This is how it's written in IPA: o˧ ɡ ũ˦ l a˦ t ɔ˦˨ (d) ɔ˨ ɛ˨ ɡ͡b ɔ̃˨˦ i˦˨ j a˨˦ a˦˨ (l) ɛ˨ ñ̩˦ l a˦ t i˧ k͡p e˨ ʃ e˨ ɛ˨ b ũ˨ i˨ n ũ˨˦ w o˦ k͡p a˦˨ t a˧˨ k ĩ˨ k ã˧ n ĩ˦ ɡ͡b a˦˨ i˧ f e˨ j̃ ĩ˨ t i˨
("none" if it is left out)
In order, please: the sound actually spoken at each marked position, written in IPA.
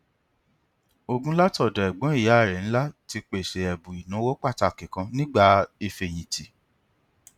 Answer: d, ɾ

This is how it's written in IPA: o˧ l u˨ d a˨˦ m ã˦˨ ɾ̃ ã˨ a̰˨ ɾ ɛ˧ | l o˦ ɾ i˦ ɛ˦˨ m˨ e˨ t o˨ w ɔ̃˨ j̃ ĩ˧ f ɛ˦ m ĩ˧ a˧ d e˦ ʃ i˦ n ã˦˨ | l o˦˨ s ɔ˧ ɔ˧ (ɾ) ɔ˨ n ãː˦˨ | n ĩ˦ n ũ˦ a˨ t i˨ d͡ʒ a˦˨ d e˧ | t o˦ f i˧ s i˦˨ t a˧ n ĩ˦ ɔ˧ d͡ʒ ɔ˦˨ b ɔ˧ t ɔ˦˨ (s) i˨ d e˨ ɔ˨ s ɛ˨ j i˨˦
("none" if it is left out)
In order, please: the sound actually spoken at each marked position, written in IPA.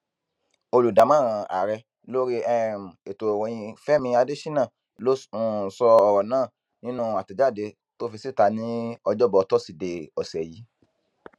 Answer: ɾ, s

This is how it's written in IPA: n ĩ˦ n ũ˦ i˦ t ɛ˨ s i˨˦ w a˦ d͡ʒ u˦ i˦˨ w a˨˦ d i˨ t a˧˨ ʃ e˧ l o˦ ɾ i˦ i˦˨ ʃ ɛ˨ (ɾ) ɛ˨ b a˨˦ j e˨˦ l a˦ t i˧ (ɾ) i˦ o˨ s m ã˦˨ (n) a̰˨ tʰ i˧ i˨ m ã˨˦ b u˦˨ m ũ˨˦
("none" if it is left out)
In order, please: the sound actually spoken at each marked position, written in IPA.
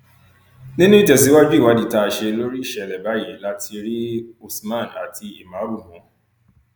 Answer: l, ɾ, n

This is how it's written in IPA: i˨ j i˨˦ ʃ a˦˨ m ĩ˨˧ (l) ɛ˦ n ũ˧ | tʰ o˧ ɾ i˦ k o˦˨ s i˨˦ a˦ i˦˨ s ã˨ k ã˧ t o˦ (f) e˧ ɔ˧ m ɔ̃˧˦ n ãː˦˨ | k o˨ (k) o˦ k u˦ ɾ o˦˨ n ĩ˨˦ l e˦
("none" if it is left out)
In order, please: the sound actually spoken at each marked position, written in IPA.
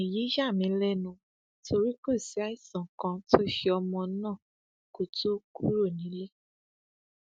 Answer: l, ʃ, t

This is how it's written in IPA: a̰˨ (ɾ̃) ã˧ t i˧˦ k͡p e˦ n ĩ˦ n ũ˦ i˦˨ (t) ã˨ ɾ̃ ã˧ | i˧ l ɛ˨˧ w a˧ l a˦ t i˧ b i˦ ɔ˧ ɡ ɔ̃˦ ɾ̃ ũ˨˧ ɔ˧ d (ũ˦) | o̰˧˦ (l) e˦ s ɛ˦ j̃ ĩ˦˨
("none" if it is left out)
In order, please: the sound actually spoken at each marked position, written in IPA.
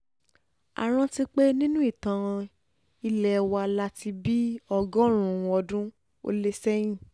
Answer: ɾ̃, t, ũ˦, l

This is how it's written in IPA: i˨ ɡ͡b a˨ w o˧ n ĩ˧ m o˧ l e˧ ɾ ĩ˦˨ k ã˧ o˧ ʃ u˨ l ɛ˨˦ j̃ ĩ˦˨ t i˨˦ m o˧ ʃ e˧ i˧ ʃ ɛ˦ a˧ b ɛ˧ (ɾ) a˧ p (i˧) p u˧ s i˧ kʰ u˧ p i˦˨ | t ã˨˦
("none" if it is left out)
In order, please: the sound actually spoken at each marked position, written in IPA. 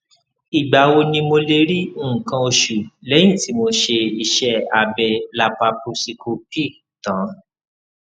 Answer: l, a˧

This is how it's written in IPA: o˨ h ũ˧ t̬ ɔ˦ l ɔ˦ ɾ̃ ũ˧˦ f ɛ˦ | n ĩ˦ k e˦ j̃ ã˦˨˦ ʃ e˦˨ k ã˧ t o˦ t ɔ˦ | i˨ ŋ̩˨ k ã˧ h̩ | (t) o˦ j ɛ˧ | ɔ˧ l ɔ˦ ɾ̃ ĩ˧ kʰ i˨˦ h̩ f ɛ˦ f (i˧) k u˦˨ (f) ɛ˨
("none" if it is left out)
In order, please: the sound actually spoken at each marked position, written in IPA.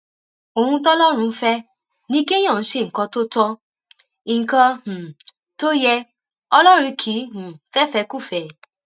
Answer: t, ɛ˧, f

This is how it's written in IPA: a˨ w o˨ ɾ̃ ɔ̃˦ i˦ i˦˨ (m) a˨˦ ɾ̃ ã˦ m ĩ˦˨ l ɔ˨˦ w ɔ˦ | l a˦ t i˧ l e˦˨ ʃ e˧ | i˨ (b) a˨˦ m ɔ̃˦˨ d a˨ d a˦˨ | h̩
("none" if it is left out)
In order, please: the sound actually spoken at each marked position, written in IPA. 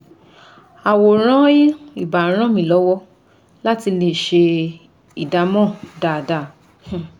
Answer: b, d

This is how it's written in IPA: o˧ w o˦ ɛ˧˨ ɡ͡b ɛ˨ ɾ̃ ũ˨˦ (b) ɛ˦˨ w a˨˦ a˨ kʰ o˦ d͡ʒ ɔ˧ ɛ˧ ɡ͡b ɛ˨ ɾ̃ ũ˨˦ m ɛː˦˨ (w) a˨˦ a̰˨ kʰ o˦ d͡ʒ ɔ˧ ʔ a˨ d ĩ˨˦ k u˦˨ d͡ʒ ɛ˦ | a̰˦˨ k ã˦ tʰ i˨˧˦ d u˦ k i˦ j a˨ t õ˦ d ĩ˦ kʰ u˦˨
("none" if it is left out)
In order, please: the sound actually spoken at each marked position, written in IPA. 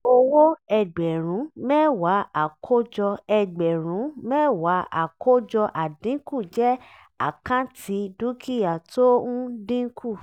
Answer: m, w

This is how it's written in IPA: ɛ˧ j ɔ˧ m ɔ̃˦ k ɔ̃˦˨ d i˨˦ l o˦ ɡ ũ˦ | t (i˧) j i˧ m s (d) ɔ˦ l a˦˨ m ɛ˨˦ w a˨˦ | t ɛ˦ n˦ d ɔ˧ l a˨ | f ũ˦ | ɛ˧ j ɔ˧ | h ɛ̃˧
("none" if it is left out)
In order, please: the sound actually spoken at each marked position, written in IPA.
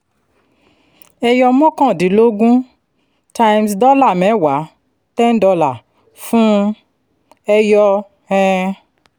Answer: a˧, d

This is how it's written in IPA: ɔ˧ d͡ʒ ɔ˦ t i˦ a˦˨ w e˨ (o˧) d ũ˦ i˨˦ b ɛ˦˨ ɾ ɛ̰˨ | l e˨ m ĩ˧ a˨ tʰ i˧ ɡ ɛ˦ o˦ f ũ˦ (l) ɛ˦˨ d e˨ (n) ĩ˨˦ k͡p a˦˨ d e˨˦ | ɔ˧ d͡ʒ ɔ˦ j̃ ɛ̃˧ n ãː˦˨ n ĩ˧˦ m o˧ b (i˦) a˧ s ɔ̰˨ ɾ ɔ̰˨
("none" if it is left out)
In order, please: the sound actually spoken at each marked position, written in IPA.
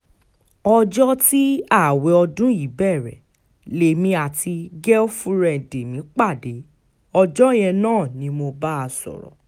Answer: ɔ˧, ɾ, m, a˦

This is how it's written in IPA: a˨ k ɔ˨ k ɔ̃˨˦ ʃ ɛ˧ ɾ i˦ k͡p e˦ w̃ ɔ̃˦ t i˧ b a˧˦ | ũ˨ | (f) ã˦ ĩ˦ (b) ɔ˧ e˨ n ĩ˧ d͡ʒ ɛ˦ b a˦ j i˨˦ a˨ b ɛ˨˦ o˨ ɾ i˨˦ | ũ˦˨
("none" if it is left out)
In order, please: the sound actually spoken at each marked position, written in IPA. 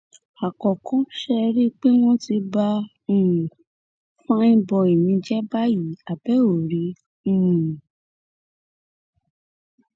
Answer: f, b

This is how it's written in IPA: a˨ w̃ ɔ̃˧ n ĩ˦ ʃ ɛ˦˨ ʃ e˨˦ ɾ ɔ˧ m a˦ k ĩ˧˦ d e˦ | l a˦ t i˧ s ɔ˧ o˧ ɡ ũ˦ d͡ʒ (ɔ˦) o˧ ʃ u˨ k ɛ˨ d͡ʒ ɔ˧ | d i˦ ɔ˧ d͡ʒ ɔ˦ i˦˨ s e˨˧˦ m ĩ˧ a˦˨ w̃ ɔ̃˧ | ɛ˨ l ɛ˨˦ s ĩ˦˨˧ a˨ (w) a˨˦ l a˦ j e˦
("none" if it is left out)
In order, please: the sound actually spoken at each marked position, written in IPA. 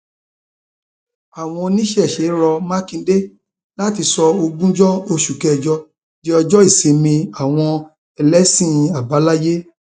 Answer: ɔ˦, b

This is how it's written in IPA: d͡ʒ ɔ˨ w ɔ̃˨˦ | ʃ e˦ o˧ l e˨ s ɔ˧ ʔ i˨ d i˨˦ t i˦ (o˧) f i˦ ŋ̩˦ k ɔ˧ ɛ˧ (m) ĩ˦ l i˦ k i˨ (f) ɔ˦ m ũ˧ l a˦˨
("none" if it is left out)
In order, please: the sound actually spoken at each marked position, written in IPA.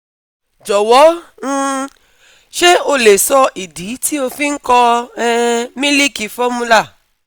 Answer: o˧, m, f

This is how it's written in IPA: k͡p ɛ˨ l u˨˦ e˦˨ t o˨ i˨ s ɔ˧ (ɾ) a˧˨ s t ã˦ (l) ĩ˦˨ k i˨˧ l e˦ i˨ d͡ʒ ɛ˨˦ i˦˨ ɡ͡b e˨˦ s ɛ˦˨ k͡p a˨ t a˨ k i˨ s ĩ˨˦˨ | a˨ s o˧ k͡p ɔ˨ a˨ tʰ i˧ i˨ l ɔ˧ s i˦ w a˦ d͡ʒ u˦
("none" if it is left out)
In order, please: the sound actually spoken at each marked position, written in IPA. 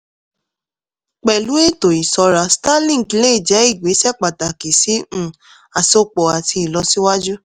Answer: ɾ, l

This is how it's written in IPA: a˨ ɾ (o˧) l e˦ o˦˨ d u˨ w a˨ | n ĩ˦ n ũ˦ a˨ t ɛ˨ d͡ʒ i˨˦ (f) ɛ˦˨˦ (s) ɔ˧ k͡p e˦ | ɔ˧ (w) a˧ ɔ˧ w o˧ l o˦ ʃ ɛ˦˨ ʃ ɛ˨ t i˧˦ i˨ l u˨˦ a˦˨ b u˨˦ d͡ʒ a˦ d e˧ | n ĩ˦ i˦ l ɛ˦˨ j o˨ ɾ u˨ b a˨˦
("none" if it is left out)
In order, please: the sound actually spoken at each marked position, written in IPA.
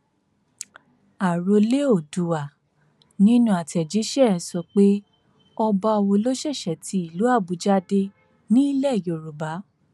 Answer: o˧, ʃ, s, b

